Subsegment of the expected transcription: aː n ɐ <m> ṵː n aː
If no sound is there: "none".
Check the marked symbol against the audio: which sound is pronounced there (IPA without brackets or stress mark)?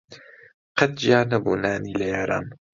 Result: b